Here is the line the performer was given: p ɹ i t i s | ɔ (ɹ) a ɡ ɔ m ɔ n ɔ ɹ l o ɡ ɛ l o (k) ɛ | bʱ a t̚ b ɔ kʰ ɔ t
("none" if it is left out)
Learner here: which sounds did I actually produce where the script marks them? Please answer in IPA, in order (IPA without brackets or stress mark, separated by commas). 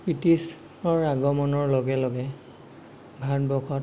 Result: ɹ, ɡ